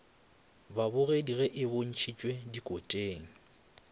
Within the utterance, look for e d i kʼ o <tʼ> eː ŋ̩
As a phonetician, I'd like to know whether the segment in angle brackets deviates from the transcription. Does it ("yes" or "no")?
no